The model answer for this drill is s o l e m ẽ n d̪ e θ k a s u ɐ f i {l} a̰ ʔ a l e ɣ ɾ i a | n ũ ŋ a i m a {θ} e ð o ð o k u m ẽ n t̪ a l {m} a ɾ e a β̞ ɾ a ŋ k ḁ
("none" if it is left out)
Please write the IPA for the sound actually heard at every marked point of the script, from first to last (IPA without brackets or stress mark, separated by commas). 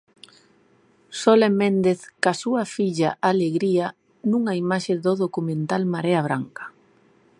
ʎ, ʃ, m